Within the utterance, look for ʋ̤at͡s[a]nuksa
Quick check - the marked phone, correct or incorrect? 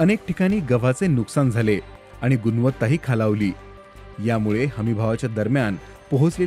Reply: incorrect